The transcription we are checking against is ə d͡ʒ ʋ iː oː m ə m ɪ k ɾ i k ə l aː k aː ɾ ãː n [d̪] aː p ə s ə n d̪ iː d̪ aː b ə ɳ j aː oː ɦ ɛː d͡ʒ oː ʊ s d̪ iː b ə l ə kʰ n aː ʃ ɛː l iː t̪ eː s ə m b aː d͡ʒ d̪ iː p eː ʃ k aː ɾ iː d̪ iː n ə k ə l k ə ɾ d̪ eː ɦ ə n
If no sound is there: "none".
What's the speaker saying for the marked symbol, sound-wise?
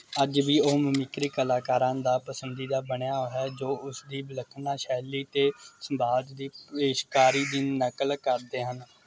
d̪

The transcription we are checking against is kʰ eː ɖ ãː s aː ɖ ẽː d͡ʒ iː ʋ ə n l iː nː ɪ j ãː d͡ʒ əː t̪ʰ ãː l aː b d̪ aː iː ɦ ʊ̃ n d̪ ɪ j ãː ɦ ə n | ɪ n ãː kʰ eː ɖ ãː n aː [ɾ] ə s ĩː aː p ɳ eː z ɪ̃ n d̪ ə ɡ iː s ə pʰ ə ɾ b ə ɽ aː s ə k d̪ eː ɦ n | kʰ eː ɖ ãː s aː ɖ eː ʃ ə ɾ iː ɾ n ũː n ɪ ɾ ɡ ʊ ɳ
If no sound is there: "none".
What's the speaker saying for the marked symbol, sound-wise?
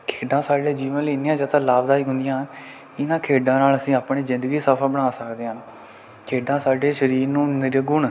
l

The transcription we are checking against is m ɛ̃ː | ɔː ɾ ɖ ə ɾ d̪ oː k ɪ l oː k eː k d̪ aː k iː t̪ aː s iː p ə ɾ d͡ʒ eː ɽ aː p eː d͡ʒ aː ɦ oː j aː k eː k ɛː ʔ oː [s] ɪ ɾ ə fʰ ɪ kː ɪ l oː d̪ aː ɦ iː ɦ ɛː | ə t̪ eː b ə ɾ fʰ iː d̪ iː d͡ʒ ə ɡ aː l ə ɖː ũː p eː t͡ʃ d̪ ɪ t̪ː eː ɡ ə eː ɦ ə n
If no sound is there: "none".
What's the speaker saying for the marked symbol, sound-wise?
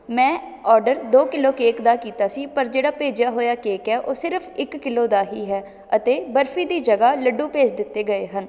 s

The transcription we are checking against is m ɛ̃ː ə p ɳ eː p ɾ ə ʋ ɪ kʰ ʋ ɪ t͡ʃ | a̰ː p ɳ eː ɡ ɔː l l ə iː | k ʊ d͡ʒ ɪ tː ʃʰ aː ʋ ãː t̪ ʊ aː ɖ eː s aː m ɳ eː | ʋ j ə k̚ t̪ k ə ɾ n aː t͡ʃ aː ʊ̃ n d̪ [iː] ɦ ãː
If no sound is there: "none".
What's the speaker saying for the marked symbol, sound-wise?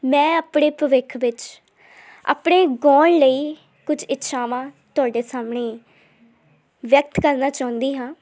iː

